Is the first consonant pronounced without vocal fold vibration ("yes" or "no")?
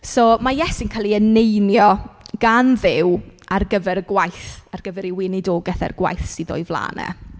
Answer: yes